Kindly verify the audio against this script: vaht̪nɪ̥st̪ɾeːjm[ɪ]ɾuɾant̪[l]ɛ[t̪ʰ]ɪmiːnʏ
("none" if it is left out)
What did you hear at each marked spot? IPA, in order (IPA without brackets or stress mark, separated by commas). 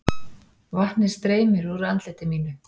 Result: ɪ, l, t̪